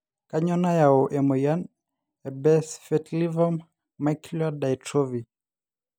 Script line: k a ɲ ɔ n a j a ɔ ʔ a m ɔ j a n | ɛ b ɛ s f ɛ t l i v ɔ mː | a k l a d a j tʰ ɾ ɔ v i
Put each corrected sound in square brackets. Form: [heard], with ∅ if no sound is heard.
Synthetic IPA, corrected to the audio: k a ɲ ɔ n a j a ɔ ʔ [ɛ] m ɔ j a n | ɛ b ɛ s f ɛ t l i v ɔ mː | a k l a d a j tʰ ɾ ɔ v i